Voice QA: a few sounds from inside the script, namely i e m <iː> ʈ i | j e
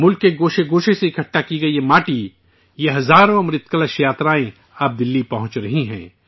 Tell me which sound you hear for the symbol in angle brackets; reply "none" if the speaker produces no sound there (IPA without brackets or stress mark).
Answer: aː